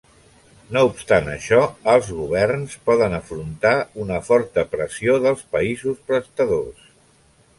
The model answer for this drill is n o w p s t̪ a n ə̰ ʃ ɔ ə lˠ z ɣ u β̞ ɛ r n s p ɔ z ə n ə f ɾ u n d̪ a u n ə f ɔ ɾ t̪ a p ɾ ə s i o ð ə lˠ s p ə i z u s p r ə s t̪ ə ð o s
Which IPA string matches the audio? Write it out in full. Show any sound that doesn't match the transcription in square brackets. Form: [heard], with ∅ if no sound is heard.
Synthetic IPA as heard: n o [u] p s t̪ a n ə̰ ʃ ɔ ə lˠ z ɣ u β̞ ɛ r n s p ɔ [ð] ə n ə f ɾ u n [t̪] a u n ə f ɔ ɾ t̪ [ə] p ɾ ə s i o ð ə lˠ s p ə i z u s p [ɾ] ə s t̪ ə ð o s